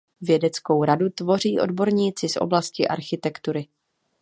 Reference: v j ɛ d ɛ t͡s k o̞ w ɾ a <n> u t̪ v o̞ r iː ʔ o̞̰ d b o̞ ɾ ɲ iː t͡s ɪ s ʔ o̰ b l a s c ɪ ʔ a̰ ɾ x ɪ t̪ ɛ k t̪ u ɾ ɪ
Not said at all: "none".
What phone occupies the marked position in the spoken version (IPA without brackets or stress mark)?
d